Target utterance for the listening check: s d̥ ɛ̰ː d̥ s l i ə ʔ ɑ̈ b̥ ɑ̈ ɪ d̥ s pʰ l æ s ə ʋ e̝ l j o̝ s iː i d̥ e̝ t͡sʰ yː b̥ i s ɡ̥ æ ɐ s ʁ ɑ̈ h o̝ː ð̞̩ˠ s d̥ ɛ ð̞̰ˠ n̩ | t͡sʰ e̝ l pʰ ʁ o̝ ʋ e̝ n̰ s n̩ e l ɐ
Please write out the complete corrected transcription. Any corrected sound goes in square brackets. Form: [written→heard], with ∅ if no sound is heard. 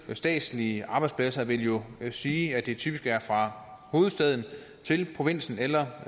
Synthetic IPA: s d̥ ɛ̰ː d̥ s l i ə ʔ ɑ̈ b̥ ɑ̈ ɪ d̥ s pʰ l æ s [ə→ɐ] ʋ e̝ l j o̝ s iː [i→æ] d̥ e̝ t͡sʰ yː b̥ i s ɡ̥ æ ɐ [s→f] ʁ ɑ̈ h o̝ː ð̞̩ˠ s d̥ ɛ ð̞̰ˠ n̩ | t͡sʰ e̝ l pʰ ʁ o̝ ʋ e̝ n̰ s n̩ e l ɐ